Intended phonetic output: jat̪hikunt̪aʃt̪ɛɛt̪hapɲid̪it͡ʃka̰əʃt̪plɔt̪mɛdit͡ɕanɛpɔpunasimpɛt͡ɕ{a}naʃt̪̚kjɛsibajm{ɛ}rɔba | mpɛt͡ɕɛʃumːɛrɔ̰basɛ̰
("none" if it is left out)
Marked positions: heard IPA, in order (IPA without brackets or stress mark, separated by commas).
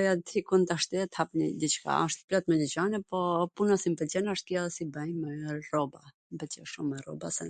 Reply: ɛ, ɛ